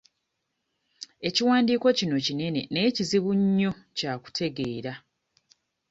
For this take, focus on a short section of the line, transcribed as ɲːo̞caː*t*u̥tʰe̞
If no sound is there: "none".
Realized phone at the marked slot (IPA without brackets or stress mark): k